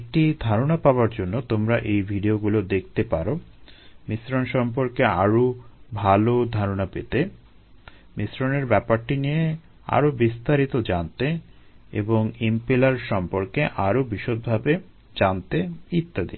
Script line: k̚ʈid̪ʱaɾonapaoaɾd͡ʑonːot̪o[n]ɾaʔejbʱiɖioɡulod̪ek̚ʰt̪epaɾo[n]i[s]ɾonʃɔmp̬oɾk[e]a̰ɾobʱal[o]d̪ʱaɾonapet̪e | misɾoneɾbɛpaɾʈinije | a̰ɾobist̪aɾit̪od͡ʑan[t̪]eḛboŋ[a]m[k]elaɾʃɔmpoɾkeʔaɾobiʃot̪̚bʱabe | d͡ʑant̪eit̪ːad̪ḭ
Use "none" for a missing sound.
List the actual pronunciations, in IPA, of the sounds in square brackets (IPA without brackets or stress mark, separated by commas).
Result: m, m, s, e, o, t̪, i, p